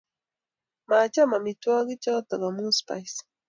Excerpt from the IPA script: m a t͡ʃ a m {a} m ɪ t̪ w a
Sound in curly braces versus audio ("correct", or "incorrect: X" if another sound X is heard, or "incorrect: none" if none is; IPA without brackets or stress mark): correct